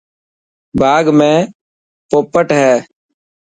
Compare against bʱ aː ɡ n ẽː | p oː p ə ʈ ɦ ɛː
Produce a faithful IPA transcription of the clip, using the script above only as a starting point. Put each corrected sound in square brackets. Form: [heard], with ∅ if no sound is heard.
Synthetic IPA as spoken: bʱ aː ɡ [m] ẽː | p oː p ə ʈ ɦ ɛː